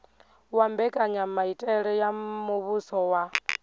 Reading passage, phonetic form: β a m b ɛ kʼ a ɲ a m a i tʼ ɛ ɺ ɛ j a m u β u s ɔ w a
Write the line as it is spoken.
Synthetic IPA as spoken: w a m b ɛ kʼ a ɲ a m a i tʼ ɛ ɺ ɛ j a m u β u s ɔ w a